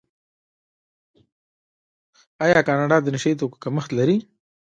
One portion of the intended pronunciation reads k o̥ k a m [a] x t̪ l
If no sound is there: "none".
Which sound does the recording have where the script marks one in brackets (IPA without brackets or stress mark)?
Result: ə